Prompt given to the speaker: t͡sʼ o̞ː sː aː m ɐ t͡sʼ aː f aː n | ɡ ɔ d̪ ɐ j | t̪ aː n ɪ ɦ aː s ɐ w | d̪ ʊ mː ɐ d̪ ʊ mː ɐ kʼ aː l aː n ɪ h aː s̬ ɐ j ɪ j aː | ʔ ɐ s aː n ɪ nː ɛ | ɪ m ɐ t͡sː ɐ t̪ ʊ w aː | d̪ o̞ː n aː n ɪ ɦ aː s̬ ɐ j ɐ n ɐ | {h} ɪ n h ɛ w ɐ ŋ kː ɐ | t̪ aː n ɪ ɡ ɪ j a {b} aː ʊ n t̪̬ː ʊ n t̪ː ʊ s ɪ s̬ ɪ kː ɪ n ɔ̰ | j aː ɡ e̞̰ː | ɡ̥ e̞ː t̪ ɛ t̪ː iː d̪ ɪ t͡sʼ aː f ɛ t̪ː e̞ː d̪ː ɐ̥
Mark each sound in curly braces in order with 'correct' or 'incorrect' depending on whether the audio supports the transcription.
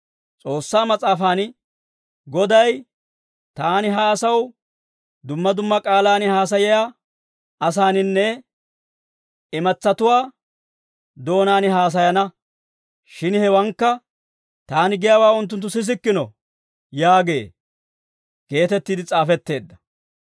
incorrect: ʃ, incorrect: w

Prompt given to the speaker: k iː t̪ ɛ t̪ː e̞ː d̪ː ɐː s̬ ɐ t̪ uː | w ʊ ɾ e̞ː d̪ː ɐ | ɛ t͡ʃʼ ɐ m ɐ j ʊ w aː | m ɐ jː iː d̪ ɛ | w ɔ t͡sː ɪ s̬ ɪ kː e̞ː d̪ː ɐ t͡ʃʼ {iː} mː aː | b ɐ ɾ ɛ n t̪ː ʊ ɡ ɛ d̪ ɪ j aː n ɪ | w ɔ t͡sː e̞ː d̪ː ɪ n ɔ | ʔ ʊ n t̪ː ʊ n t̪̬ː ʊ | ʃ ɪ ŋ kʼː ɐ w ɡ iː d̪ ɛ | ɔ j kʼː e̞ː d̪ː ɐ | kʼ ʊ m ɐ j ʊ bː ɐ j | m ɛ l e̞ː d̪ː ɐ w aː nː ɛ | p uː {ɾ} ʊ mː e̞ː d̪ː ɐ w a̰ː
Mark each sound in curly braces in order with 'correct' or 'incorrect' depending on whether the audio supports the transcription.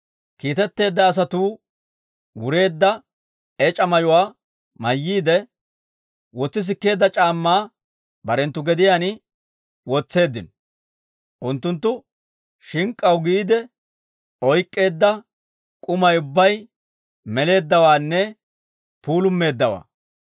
incorrect: aː, incorrect: l

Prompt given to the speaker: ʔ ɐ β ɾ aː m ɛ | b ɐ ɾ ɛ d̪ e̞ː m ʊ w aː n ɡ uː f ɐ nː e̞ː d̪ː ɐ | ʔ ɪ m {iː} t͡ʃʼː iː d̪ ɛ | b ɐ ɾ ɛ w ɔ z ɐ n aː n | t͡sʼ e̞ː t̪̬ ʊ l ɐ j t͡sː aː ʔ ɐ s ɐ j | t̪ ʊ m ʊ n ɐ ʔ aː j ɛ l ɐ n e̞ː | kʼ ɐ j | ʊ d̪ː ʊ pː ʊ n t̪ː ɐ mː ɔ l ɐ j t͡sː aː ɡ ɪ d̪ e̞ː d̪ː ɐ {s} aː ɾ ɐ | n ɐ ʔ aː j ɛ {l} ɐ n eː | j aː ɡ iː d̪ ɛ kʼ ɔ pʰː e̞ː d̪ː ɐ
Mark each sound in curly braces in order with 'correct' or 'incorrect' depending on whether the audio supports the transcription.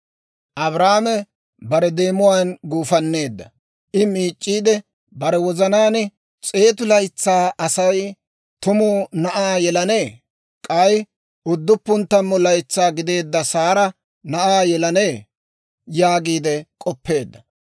correct, correct, correct

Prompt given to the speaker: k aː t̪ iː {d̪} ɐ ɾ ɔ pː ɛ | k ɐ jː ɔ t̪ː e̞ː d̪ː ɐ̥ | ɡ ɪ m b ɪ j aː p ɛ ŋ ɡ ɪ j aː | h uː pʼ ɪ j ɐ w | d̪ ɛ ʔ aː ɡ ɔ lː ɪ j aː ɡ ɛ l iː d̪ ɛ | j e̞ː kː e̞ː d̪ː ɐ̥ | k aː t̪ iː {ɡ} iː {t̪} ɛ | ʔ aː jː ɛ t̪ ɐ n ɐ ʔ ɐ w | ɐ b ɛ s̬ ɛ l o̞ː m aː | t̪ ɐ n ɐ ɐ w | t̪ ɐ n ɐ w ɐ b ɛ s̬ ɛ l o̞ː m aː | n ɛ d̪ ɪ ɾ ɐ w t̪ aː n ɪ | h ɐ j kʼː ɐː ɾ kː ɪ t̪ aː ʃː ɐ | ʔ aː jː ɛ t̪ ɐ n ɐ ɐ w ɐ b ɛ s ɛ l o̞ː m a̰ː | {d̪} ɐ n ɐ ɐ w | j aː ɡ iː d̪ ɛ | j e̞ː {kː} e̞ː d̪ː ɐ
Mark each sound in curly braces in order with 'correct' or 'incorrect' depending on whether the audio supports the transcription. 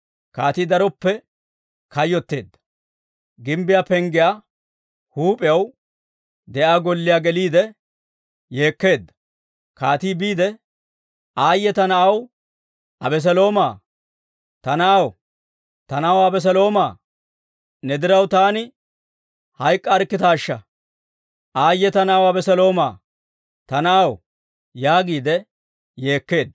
correct, incorrect: b, incorrect: d̪, incorrect: t̪, correct

